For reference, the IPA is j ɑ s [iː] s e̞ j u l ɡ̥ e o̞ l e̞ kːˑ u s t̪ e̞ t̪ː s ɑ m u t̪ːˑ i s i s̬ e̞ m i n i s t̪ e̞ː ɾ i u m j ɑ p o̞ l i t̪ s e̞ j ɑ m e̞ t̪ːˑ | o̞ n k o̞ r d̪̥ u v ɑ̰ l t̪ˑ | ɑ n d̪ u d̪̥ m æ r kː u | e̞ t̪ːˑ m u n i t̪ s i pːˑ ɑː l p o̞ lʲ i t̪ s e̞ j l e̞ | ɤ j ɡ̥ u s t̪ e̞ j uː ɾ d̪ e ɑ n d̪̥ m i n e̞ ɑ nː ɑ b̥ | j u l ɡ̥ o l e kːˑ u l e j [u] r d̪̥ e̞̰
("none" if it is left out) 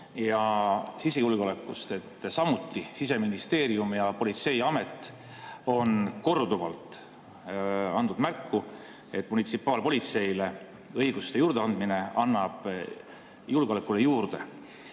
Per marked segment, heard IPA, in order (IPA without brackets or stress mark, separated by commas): i, uː